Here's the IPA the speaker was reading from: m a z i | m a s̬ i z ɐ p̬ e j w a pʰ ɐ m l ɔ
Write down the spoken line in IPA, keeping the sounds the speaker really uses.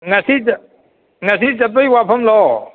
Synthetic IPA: ŋ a s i | ŋ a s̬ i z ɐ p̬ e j w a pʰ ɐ m l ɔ